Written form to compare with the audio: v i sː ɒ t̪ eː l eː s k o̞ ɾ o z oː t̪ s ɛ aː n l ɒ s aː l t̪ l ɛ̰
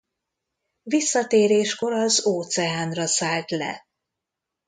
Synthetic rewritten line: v i sː ɒ t̪ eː ɾ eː ʃ k o̞ ɾ ɒ z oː t̪ s ɛ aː n r ɒ s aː l t̪ l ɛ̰